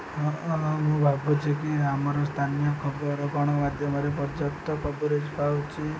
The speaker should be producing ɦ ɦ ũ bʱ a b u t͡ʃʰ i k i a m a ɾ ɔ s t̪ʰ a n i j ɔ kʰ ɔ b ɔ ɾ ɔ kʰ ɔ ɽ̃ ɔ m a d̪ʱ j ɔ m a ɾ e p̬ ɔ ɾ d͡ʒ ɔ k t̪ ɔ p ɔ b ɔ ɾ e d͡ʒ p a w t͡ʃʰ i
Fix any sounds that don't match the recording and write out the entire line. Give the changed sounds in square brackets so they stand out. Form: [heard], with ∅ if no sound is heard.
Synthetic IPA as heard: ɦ ɦ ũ bʱ a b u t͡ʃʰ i k i a m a ɾ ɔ s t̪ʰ a n i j ɔ kʰ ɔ b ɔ ɾ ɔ [k] ɔ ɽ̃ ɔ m a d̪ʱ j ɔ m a ɾ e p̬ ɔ ɾ d͡ʒ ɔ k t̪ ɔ p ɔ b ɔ ɾ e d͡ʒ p a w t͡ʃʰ i

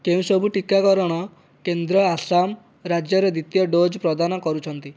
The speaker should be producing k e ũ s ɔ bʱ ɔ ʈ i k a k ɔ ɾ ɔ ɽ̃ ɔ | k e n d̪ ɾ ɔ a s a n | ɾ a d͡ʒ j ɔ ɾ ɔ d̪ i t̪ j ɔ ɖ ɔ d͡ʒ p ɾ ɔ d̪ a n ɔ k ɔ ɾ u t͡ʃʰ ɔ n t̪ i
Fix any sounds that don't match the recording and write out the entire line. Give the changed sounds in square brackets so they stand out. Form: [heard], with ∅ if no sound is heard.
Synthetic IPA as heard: k e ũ s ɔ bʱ [u] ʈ i k a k ɔ ɾ ɔ ɽ̃ ɔ | k e n d̪ ɾ ɔ a s a [m] | ɾ a d͡ʒ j ɔ ɾ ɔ d̪ i t̪ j ɔ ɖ [o] d͡ʒ p ɾ ɔ d̪ a n ɔ k ɔ ɾ u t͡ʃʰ ɔ n t̪ i

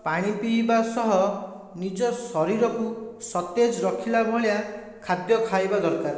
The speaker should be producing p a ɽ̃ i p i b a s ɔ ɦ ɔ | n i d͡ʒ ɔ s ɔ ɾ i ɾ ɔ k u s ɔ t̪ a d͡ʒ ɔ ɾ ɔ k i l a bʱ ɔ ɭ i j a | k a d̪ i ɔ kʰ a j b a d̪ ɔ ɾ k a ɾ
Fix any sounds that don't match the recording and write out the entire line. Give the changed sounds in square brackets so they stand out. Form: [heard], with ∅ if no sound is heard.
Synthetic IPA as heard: p a ɽ̃ i p i b a s ɔ ɦ ɔ | n i d͡ʒ ɔ s ɔ ɾ i ɾ ɔ k u s ɔ t̪ [e] d͡ʒ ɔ ɾ ɔ [kʰ] i l a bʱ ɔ ɭ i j a | [kʰ] a d̪ [j] ɔ kʰ a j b a d̪ ɔ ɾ k a ɾ

